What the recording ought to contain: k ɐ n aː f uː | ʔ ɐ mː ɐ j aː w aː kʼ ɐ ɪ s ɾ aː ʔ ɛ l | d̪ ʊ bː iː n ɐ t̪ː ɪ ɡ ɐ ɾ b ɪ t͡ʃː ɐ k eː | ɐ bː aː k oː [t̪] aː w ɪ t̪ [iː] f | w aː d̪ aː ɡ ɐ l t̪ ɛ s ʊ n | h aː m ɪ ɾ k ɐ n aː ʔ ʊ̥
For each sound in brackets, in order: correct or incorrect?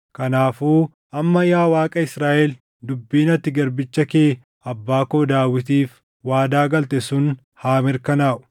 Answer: incorrect: d̪, correct

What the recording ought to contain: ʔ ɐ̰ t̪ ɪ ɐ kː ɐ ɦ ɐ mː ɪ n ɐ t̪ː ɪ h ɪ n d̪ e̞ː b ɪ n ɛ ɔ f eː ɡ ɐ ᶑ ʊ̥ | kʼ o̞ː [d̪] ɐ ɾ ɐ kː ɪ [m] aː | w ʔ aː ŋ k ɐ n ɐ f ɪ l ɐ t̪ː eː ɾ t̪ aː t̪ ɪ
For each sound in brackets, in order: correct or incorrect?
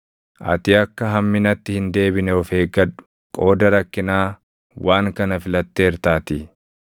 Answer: correct, incorrect: n

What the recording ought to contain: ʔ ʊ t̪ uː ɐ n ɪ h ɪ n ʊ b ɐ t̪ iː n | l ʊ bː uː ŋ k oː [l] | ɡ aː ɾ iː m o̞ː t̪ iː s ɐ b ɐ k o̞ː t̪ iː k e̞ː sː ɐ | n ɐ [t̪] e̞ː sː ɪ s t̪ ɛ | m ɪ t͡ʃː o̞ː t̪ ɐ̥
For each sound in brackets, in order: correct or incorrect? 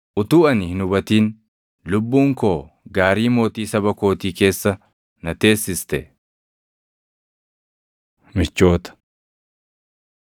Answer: incorrect: none, correct

